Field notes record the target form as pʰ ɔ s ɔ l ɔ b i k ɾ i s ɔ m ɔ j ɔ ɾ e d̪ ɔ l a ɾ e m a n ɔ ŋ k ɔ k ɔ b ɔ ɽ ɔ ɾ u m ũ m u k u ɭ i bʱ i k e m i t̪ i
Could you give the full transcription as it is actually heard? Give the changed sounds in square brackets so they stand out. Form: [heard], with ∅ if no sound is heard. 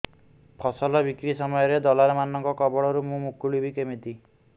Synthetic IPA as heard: pʰ ɔ s ɔ l ɔ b i k ɾ i s ɔ m ɔ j ɔ ɾ e d̪ ɔ l a ɾ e m a n ɔ ŋ k ɔ k ɔ b ɔ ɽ ɔ ɾ u m ũ m u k u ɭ i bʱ i k e m i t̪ i